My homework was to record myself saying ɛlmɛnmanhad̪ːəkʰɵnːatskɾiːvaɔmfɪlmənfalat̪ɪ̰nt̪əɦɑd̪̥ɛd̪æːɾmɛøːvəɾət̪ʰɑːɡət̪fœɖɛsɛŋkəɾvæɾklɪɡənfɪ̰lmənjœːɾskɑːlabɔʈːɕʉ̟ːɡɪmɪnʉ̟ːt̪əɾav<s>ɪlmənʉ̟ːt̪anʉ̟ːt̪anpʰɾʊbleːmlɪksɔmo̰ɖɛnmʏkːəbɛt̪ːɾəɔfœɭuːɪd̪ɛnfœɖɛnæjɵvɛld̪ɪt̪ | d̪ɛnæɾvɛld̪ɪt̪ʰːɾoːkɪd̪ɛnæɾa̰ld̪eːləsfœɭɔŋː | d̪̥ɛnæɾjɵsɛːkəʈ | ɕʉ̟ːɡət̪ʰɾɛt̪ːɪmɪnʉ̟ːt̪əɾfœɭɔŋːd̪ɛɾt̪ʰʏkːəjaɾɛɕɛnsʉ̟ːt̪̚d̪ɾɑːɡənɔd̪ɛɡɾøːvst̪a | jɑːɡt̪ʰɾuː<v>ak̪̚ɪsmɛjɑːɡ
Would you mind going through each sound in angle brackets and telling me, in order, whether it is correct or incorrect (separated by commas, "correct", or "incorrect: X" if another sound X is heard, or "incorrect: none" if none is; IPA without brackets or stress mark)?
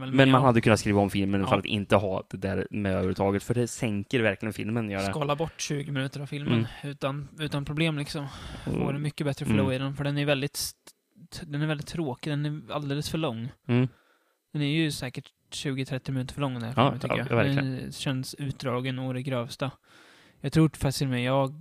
incorrect: f, incorrect: f